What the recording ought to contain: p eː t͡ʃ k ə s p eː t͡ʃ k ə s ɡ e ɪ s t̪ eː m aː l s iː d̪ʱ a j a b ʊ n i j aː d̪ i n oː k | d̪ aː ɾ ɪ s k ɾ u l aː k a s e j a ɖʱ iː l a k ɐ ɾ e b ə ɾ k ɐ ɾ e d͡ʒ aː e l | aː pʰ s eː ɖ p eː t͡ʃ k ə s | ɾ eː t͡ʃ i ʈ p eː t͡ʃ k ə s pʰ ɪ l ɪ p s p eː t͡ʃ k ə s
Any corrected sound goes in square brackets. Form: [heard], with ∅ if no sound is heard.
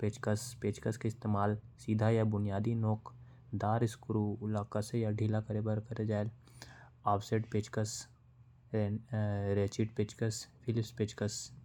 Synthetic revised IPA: p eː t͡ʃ k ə s p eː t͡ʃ k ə s [k] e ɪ s t̪ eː m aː l s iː d̪ʱ a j a b ʊ n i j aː d̪ i n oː k | d̪ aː ɾ ɪ s k ɾ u l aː k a s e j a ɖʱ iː l a k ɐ ɾ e b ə ɾ k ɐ ɾ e d͡ʒ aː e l | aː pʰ s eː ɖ p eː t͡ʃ k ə s | ɾ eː t͡ʃ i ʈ p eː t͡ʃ k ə s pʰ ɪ l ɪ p s p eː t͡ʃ k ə s